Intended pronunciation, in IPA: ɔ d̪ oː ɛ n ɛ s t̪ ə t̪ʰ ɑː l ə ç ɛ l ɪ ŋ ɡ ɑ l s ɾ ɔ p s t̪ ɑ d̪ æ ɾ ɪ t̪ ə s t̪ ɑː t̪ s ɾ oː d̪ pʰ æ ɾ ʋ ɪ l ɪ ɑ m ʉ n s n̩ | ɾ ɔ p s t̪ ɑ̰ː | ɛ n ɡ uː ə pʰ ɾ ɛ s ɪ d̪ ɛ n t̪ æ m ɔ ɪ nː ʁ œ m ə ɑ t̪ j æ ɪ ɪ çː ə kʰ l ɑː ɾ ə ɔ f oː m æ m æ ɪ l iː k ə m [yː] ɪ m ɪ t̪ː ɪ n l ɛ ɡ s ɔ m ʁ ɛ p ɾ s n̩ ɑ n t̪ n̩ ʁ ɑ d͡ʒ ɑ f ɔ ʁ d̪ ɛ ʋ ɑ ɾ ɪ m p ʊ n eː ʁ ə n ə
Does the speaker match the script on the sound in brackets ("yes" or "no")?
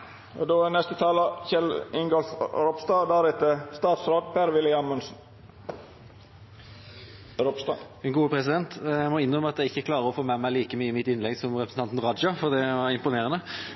yes